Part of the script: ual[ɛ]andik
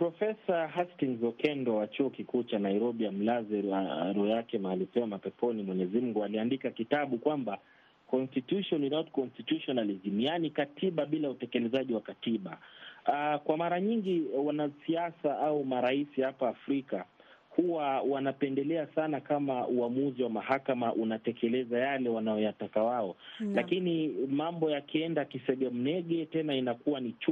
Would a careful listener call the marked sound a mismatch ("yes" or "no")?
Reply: yes